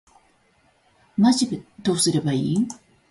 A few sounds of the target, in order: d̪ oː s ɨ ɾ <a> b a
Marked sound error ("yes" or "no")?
yes